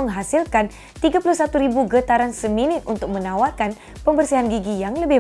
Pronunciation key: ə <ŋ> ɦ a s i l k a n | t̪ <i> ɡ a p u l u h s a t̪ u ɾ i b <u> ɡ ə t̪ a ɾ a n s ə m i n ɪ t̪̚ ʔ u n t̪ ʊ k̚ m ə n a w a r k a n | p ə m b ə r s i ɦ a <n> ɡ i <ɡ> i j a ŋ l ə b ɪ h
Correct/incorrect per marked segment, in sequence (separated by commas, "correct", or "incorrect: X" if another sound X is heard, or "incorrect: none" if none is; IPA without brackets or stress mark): correct, correct, correct, correct, correct